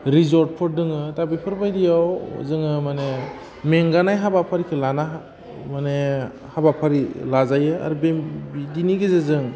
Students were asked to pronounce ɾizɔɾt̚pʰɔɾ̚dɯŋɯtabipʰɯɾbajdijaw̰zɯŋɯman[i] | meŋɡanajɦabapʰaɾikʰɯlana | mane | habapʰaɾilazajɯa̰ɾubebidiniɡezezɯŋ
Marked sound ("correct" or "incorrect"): incorrect